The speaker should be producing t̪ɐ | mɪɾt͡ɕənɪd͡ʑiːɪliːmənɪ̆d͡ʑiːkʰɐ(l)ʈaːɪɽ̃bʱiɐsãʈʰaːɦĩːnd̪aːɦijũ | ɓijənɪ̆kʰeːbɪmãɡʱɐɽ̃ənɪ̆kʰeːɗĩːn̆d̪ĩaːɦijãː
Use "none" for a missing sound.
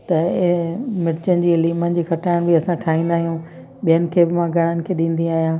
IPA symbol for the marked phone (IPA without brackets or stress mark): none